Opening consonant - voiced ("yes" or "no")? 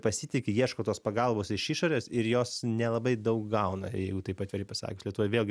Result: no